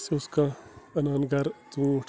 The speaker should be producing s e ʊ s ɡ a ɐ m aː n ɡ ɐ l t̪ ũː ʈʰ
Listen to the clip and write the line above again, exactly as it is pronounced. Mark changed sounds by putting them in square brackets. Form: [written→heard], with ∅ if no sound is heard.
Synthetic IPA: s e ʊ s [ɡ→k] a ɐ [m→n] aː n ɡ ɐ [l→ɾ] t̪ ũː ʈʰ